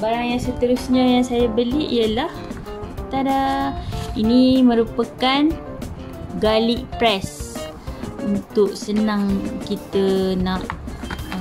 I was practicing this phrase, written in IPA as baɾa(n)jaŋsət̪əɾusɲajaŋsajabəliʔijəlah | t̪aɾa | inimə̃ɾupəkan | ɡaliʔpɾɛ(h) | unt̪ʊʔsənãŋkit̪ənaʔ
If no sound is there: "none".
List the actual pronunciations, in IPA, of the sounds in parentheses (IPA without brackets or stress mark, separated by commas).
ŋ, s